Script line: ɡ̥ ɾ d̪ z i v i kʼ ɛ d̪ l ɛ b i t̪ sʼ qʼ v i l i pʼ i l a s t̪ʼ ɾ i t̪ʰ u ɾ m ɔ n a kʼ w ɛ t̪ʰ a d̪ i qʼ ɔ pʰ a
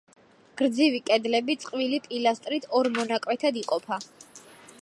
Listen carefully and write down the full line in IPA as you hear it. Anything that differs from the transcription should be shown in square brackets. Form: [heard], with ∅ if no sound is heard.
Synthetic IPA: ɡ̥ ɾ d̪ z i v i kʼ ɛ d̪ l ɛ b i t̪ sʼ qʼ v i l i pʼ i l a s t̪ʼ ɾ i t̪ʰ [ɔ] ɾ m ɔ n a kʼ w ɛ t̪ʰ a d̪ i qʼ ɔ pʰ a